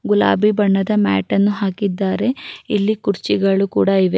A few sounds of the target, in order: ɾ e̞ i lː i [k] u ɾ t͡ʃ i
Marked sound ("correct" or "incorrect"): correct